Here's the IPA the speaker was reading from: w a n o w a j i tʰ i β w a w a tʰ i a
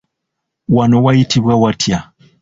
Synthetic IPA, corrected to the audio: w a n o w a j i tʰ i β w a w a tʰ j a